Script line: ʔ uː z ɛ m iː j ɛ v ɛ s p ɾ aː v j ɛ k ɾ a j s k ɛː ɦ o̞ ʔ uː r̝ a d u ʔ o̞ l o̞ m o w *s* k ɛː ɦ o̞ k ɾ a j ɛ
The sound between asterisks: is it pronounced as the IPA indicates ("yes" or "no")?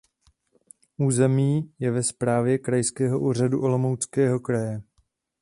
no